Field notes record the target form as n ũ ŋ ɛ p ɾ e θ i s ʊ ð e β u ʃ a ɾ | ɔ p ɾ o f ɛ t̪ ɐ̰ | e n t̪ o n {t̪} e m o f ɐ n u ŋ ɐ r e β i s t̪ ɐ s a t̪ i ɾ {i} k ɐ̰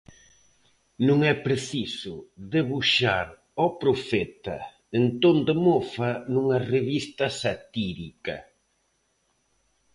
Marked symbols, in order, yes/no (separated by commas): no, yes